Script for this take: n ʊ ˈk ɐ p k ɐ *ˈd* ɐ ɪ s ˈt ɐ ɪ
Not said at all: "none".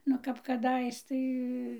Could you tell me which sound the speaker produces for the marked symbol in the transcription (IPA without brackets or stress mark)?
d